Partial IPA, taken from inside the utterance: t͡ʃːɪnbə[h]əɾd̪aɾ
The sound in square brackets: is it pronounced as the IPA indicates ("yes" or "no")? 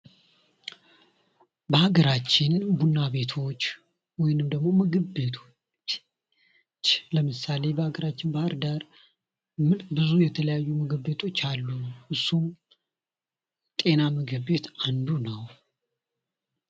yes